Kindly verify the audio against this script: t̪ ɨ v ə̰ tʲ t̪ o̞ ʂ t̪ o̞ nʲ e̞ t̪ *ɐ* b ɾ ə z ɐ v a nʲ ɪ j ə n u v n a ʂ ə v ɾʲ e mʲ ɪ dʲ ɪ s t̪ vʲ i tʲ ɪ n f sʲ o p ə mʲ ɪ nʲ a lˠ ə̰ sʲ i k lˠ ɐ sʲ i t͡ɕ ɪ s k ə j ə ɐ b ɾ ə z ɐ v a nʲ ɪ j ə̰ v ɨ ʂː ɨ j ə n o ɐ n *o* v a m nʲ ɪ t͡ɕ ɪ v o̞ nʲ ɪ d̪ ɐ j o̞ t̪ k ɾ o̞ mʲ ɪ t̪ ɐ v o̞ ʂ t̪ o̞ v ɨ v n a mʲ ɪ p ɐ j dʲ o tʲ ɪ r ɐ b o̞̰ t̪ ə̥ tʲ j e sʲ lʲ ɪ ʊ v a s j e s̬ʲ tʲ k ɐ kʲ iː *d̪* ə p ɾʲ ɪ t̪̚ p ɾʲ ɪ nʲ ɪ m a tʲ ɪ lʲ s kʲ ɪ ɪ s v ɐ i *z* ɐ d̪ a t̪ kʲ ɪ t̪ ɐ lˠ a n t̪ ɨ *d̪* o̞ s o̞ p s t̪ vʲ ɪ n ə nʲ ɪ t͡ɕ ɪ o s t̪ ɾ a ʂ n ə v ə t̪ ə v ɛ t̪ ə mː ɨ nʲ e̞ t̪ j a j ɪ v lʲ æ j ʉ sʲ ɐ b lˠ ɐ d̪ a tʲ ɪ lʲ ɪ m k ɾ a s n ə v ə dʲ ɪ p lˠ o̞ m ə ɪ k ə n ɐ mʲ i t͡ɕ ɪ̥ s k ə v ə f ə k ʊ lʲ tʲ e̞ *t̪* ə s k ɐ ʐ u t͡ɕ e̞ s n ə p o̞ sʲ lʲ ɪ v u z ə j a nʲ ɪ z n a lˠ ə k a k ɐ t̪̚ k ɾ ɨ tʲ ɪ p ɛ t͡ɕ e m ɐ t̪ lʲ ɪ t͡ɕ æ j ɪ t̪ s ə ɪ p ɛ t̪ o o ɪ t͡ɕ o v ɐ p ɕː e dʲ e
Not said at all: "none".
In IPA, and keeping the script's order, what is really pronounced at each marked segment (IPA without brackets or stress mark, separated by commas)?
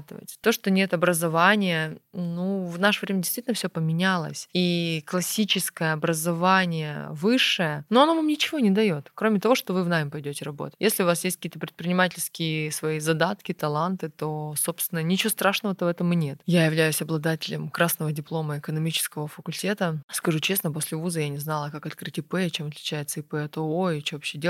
ɐ, o, t̪, z, t̪, t̪